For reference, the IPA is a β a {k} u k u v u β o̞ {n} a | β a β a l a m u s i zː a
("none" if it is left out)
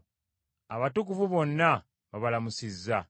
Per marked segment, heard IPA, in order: t, nː

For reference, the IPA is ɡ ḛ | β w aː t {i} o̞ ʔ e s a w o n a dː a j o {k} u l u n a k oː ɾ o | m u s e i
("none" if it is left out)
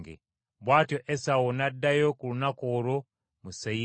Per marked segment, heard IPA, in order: j, k

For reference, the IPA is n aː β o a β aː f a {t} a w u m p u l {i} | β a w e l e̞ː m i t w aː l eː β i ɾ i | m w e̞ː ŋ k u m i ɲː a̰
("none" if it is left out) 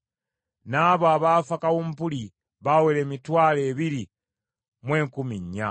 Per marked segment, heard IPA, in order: k, i

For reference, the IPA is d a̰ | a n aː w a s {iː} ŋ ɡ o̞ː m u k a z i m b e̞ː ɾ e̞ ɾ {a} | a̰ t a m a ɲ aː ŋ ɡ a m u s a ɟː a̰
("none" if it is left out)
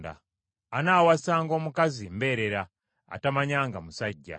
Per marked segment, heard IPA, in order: aː, a

